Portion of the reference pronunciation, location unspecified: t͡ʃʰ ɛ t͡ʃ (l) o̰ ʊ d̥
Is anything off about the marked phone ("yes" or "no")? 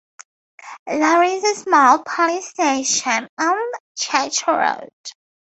yes